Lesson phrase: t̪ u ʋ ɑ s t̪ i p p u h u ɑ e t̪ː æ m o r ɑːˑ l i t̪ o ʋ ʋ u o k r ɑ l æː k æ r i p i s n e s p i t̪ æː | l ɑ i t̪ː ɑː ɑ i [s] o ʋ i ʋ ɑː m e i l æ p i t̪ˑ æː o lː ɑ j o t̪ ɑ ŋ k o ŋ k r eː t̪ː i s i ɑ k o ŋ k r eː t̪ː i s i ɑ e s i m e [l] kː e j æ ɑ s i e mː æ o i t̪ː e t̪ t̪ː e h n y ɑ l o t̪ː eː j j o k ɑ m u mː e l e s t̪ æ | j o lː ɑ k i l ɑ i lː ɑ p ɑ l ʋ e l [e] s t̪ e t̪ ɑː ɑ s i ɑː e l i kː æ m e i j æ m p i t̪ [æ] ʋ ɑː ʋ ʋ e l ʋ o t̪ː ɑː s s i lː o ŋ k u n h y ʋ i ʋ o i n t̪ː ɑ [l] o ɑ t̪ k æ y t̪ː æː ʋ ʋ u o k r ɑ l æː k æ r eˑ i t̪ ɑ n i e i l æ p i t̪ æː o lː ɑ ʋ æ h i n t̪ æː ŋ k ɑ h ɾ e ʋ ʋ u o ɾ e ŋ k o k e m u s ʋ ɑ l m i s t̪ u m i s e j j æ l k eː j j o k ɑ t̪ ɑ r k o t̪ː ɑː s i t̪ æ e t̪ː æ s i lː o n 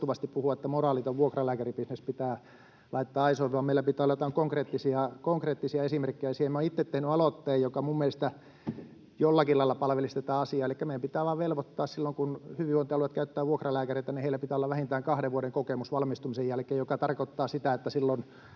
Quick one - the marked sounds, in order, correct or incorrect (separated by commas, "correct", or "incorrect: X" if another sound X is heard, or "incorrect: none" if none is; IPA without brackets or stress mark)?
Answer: correct, incorrect: r, incorrect: i, incorrect: æː, correct